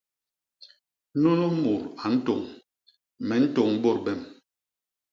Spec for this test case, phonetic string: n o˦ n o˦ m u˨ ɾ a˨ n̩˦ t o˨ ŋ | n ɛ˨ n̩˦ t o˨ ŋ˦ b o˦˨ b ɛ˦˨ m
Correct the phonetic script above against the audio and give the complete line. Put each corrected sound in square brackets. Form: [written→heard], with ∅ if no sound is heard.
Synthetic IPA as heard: n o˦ n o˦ m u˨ ɾ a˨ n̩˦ t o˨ ŋ | [n→m] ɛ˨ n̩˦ t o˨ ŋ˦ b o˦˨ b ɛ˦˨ m